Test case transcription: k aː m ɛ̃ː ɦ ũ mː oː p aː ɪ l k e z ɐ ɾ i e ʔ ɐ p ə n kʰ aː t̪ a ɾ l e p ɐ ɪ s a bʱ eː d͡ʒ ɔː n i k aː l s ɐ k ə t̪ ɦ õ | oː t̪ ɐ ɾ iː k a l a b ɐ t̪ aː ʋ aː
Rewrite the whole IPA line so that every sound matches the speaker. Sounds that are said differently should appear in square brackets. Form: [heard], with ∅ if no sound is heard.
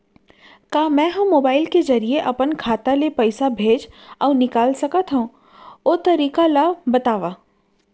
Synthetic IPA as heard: k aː m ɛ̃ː ɦ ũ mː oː [b] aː ɪ l k e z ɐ ɾ i e ʔ ɐ p ə n kʰ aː t̪ a [∅] l e p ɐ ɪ s a bʱ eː d͡ʒ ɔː n [ɪ] k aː l s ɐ k ə t̪ ɦ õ | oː t̪ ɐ ɾ iː k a l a b ɐ t̪ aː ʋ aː